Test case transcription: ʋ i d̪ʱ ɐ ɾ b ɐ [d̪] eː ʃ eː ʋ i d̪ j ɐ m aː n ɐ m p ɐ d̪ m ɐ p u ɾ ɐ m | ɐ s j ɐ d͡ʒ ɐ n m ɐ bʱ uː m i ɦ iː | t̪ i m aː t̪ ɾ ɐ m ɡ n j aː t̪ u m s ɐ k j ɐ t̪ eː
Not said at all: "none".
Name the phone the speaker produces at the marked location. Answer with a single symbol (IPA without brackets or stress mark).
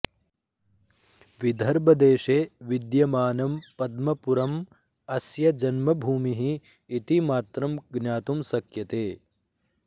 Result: d̪